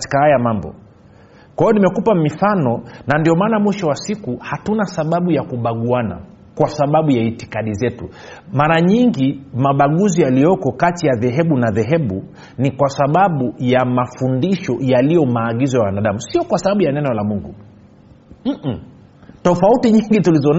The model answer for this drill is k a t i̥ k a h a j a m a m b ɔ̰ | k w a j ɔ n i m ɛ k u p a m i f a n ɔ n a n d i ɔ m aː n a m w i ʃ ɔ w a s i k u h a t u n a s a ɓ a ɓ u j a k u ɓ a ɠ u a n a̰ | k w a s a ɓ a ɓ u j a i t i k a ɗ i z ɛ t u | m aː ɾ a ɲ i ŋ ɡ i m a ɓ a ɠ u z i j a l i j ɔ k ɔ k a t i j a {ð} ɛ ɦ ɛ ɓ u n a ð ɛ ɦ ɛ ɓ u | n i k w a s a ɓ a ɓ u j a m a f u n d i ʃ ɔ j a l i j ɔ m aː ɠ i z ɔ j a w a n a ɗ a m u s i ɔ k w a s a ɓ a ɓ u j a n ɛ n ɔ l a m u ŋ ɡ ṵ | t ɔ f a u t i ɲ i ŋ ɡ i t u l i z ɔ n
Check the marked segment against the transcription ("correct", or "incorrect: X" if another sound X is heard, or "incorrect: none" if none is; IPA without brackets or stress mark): correct